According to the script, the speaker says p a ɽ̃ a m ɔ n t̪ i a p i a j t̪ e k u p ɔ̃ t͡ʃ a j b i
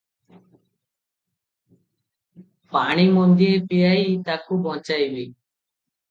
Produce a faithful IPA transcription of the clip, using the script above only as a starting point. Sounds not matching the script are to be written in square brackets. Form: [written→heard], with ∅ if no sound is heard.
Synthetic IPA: p a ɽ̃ [a→i] m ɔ n [t̪→d̪] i [a→e] p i a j t̪ [e→a] k u [p→b] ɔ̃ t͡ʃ a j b i